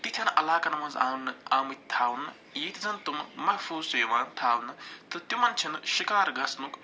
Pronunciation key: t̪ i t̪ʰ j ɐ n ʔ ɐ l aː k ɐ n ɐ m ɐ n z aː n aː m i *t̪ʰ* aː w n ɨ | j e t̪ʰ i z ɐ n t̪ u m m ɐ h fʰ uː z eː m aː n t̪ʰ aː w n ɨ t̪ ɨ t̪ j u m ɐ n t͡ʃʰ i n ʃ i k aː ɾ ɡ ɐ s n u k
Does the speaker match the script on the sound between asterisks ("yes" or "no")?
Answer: yes